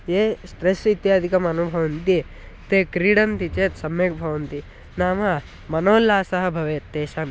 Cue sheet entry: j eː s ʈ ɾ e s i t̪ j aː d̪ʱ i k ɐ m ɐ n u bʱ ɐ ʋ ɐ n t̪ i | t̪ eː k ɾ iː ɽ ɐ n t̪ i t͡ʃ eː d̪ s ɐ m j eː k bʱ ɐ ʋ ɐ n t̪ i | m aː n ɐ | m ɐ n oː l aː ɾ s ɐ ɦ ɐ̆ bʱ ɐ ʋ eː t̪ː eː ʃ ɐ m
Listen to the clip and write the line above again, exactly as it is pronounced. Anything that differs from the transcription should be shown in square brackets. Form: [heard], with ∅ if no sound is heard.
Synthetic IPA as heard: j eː s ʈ ɾ e s i t̪ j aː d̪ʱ i k ɐ m ɐ n u bʱ ɐ ʋ ɐ n t̪ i | t̪ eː k ɾ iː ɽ ɐ n t̪ i t͡ʃ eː [t̪] s ɐ m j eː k bʱ ɐ ʋ ɐ n t̪ i | [n] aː [m] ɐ | m ɐ n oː l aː [∅] s ɐ ɦ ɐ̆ bʱ ɐ ʋ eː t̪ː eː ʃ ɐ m